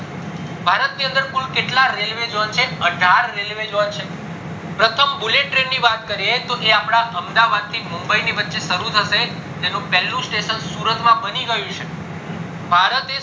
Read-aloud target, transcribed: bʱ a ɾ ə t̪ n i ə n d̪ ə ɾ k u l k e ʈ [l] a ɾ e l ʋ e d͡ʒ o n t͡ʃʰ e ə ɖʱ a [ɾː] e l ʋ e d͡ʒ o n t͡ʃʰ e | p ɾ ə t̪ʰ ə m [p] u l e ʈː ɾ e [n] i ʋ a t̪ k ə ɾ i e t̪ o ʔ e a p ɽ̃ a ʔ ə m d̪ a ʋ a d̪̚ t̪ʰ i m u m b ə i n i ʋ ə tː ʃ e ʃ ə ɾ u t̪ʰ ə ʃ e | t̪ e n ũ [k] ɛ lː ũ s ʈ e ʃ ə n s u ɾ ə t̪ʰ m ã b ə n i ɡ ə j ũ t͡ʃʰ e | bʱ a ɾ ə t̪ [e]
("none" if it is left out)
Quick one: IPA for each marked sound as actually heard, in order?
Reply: l, ɾː, b, nː, p, e

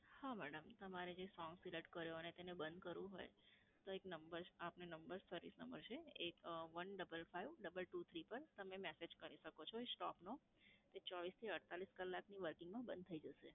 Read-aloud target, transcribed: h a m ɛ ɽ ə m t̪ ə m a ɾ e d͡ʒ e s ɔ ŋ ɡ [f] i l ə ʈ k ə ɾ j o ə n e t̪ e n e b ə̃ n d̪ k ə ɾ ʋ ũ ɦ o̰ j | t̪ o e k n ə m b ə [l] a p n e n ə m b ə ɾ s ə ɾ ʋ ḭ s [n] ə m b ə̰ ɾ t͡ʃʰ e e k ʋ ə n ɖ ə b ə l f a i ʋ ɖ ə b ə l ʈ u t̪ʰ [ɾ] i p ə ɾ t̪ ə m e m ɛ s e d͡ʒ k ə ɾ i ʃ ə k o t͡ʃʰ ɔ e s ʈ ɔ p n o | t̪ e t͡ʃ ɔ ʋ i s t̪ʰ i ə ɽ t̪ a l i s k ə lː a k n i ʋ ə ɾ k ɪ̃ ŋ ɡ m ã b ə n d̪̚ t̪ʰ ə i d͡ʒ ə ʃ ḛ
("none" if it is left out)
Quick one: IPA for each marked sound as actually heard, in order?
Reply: s, ɾ, n, ɾ

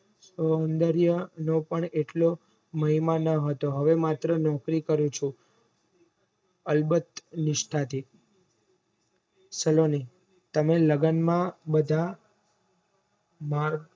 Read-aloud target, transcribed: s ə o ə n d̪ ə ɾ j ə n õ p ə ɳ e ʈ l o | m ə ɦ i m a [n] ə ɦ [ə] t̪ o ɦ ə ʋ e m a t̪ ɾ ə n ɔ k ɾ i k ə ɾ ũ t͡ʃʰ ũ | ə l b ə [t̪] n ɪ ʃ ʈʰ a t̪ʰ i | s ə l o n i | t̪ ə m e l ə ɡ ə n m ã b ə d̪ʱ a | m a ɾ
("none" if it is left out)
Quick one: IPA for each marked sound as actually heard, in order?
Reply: n, ə, t̪

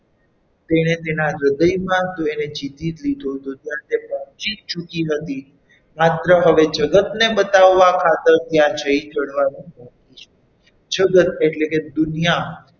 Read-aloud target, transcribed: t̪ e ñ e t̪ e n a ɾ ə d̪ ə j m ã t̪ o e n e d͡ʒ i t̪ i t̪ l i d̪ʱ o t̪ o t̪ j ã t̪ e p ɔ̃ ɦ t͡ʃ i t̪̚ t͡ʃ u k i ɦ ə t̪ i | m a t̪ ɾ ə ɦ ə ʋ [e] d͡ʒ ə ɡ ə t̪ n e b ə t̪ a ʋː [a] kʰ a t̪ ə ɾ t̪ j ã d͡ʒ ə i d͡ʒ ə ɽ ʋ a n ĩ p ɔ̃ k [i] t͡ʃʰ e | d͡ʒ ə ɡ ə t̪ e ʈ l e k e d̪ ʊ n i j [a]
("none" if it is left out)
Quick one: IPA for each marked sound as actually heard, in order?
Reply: e, a, i, a

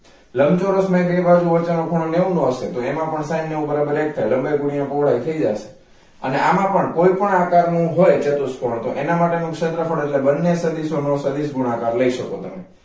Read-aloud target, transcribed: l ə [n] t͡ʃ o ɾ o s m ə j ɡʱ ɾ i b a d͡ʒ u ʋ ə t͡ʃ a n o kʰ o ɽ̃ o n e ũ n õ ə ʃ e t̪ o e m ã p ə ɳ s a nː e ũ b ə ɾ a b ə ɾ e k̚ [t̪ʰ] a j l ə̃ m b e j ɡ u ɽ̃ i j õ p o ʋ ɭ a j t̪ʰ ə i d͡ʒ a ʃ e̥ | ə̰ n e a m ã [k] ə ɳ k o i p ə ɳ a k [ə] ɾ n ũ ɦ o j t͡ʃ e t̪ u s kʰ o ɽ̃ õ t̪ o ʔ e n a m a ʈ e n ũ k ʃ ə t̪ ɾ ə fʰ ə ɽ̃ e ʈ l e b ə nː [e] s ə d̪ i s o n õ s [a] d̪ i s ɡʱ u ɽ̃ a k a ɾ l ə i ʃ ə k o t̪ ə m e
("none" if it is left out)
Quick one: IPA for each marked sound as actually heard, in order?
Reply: m, t̪ʰ, p, a, e, ə

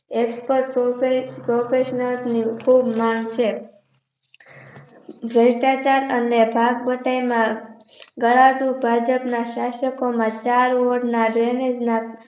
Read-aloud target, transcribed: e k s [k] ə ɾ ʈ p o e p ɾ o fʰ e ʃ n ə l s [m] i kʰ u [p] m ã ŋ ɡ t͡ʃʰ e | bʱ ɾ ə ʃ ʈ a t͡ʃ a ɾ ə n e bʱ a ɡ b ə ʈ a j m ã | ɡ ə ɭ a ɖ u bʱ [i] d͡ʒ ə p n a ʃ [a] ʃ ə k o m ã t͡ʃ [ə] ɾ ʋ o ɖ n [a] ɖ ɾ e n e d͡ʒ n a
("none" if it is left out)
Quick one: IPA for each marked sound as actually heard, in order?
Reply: p, n, b, a, a, a, a

